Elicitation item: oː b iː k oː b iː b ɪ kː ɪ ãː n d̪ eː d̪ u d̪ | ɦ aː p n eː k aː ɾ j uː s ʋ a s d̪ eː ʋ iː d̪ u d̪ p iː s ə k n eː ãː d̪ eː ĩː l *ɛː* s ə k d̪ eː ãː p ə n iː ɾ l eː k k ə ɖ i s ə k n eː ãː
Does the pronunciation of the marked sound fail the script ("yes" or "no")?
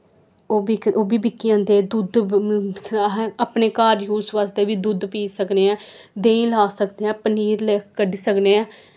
yes